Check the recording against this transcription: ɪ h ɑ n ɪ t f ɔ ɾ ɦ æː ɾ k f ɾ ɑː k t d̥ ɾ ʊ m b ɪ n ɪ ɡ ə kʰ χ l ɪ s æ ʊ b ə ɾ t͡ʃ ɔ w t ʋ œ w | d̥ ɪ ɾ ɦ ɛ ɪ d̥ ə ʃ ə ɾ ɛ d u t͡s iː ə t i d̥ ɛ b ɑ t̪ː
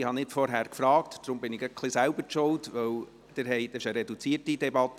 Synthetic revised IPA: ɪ h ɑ n ɪ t f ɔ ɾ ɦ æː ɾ k f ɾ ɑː k t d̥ ɾ ʊ m b ɪ n ɪ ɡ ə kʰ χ l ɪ s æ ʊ b ə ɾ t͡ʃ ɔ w t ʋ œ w | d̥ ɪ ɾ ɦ ɛ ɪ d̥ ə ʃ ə ɾ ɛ d u t͡s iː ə t i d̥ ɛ b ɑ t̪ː